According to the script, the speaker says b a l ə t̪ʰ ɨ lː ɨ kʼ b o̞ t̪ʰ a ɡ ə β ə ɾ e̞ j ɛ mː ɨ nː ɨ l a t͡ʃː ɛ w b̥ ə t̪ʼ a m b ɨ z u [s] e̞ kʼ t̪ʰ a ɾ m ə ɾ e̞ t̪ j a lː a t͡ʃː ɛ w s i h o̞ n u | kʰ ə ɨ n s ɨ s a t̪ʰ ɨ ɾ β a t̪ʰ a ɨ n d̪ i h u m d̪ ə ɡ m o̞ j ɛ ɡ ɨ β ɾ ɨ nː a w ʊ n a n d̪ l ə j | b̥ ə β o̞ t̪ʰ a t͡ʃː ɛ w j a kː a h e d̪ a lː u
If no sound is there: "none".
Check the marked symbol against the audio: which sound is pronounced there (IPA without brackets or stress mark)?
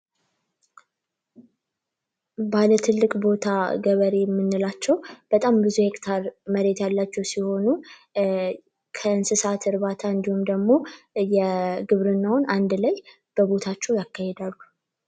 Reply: h